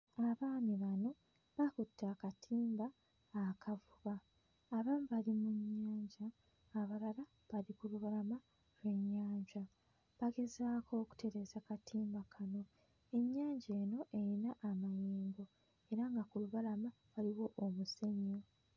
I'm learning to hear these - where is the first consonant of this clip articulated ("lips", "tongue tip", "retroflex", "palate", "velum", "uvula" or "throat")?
lips